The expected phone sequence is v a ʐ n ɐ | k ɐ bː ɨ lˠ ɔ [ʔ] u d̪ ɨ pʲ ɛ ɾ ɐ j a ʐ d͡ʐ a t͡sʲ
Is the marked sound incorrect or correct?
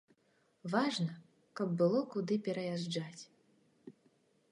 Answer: incorrect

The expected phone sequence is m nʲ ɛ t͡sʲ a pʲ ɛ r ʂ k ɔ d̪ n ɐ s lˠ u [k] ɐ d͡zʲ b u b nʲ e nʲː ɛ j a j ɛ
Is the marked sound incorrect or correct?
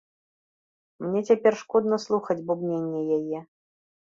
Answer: incorrect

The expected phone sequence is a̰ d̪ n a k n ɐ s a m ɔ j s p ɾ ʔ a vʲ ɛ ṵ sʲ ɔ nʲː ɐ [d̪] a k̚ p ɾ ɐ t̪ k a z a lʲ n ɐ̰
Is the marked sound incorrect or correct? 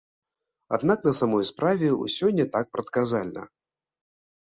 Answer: incorrect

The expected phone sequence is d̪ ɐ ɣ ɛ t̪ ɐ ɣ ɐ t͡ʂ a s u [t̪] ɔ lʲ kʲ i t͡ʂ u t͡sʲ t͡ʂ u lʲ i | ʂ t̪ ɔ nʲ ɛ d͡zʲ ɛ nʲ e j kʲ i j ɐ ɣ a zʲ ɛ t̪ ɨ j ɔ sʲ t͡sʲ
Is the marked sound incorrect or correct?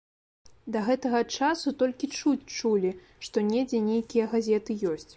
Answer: correct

